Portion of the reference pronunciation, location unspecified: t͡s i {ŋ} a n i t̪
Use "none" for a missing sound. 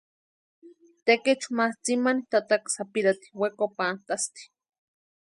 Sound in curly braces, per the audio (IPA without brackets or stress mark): m